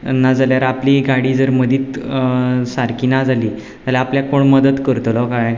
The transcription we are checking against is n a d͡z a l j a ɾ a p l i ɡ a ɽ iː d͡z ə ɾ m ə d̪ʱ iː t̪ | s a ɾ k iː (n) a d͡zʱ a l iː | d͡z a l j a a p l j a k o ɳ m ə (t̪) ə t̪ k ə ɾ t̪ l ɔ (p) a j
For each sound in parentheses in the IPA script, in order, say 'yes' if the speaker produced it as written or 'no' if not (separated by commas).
yes, no, no